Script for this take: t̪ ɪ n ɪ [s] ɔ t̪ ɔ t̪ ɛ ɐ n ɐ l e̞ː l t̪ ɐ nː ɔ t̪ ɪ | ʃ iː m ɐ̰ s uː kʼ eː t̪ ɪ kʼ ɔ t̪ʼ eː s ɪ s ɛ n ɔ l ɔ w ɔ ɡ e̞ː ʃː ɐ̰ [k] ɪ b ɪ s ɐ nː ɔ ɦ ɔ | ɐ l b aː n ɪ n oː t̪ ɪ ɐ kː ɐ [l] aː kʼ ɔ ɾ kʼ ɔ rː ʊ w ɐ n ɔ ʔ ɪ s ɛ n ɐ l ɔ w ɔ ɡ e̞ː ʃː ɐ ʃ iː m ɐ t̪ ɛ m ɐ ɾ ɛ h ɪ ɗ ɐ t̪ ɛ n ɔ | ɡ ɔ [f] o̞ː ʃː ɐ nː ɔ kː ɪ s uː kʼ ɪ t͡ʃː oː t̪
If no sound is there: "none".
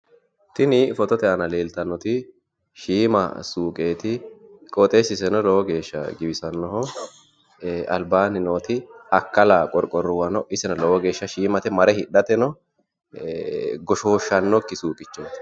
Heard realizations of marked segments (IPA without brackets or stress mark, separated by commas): f, ɡ, l, ʃ